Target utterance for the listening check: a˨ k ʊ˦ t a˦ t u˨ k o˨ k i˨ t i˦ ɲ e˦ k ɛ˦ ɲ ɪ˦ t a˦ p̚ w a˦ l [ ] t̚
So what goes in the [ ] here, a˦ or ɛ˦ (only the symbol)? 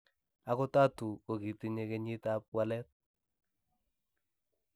ɛ˦